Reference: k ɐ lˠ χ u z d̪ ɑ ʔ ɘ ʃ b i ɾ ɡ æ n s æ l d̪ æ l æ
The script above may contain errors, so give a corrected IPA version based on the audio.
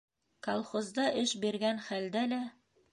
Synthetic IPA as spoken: k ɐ lˠ χ o z d̪ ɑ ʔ ɘ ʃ b i ɾ ɡ æ n χ æ l d̪ æ l æ